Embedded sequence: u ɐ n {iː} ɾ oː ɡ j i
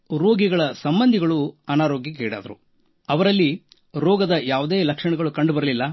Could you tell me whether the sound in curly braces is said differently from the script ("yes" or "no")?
yes